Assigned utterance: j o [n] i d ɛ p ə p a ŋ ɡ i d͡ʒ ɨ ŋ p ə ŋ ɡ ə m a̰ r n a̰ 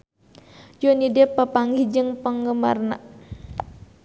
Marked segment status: correct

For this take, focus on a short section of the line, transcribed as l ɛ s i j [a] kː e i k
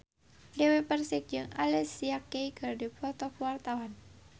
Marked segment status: correct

